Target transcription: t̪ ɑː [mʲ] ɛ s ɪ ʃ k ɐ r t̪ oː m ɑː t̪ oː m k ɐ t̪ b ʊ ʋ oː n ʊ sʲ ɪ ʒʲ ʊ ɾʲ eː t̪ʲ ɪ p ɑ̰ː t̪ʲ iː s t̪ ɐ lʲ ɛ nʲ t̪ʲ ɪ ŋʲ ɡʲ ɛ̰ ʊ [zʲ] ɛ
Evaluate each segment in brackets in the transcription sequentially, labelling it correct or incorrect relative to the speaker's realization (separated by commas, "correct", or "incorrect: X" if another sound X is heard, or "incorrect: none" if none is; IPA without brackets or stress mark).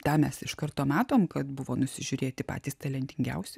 correct, incorrect: sʲ